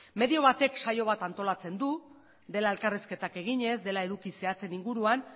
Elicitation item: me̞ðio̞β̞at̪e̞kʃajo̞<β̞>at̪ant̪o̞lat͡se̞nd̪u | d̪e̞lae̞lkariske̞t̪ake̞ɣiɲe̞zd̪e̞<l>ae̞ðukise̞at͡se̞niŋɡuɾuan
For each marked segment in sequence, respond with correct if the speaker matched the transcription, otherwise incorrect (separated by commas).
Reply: correct, correct